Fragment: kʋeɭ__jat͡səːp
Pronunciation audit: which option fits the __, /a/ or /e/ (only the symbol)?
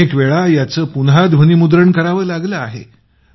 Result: a